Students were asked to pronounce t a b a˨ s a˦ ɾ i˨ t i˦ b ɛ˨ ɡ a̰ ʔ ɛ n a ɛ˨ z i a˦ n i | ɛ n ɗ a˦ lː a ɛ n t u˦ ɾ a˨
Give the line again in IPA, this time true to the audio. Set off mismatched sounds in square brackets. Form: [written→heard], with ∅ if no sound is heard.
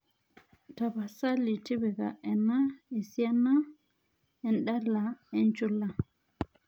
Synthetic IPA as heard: t a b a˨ s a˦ [ɾ→l] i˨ t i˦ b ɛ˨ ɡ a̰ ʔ ɛ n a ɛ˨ [z→s] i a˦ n [i→a] | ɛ n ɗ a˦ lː a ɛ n [t→t͡ʃ] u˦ [ɾ→l] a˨

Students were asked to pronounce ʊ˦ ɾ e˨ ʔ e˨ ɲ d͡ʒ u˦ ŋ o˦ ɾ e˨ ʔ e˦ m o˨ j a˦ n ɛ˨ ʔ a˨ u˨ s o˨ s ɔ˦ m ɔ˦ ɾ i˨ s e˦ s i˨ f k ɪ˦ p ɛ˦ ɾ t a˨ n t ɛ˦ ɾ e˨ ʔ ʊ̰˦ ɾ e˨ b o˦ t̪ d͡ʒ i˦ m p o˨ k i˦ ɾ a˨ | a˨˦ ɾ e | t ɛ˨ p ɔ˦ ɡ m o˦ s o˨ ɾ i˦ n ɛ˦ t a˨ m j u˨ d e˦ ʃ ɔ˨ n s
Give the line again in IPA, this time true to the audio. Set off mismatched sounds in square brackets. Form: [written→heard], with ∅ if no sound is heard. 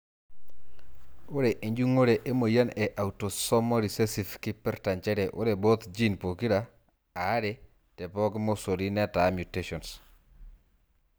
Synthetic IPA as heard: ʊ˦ ɾ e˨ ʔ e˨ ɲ d͡ʒ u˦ ŋ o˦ ɾ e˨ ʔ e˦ m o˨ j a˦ n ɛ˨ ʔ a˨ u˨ [s→t] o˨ s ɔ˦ m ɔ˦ ɾ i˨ s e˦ s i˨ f k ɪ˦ p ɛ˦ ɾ t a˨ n [t→t͡ʃ] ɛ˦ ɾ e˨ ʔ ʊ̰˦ ɾ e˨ b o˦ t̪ d͡ʒ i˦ [m→n] p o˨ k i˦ ɾ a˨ | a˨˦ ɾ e | t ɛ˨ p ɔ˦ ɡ m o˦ s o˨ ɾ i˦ n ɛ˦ t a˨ m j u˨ [d→t] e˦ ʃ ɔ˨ n s

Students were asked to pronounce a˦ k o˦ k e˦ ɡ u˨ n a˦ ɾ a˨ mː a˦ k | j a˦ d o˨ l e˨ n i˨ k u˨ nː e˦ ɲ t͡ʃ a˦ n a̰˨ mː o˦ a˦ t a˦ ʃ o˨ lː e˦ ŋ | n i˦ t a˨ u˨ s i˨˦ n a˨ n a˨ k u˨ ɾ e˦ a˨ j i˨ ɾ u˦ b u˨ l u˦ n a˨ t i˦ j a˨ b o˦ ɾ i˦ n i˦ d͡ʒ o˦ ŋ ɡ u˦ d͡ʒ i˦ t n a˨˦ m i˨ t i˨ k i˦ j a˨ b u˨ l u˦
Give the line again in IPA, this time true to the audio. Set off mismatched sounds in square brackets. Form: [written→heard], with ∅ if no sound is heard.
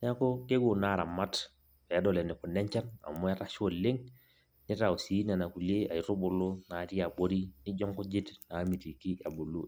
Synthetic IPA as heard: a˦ k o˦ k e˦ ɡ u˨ n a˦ ɾ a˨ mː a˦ [k→t] | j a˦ d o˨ l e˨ n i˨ k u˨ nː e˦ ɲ t͡ʃ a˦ n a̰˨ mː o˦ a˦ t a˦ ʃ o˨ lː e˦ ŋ | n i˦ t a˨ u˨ s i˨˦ n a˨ n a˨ k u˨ [ɾ→l] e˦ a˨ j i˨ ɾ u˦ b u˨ l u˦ n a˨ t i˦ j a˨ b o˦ ɾ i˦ n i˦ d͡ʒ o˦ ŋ [ɡ→k] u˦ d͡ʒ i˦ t n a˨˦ m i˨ t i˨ k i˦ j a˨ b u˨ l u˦

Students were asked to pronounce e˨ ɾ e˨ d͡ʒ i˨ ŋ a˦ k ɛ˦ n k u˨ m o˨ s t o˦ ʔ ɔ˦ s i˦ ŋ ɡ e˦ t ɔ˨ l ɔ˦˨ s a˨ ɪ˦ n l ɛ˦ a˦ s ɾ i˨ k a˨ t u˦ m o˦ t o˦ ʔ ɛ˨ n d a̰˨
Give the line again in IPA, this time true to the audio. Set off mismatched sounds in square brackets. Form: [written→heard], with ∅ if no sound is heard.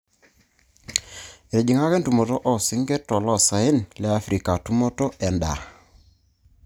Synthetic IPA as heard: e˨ ɾ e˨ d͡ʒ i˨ ŋ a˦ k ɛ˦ n [k→t] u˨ m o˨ [s→∅] t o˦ ʔ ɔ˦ s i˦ ŋ ɡ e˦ t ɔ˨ l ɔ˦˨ s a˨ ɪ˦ n l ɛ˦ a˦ [s→f] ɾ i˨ k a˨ t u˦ m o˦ t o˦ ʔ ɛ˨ n d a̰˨

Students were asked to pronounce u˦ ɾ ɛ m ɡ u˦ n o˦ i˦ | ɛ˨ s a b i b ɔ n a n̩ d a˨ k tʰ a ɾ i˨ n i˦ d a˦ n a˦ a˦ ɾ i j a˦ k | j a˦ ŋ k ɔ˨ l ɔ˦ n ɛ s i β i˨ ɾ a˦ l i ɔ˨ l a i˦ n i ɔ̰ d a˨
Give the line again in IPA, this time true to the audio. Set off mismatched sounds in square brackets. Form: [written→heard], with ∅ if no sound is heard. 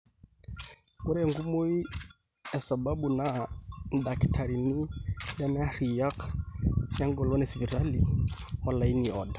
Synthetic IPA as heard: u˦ ɾ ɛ [m→ŋ] ɡ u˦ [n→m] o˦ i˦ | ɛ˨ s a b [i→a] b [ɔ→u] n a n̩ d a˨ k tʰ a ɾ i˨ n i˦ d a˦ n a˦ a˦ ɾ i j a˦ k | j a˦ ŋ [k→ɡ] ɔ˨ l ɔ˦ n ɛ s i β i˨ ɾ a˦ l i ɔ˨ l a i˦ n i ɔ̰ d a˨

